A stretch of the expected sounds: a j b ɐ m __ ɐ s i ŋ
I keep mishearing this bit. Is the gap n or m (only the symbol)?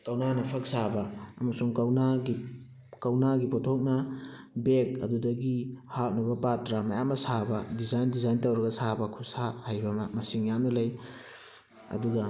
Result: m